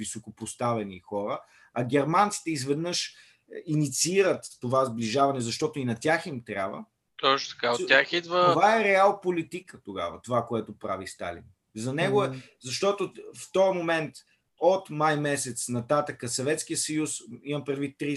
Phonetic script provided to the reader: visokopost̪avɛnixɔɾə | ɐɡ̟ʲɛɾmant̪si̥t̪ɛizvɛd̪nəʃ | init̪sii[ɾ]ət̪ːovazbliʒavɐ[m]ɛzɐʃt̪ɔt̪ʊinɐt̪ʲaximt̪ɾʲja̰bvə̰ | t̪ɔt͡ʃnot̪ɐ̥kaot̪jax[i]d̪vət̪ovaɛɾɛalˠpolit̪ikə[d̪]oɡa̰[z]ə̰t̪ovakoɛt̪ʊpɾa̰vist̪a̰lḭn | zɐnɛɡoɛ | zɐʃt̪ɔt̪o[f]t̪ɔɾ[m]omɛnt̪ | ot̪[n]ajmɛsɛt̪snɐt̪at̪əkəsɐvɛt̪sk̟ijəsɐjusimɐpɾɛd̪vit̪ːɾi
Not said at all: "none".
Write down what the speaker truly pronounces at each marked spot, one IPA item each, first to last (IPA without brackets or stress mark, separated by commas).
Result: ɾ, n, i, t̪, v, f, m, m